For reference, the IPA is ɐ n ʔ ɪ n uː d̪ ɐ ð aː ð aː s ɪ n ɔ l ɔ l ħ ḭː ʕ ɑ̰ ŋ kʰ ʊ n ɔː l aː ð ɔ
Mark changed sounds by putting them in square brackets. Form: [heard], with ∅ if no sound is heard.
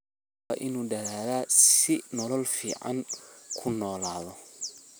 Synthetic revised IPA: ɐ [∅] ʔ ɪ n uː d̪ ɐ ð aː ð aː s ɪ n ɔ l ɔ l [f] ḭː ʕ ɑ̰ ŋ kʰ ʊ n ɔː l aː ð ɔ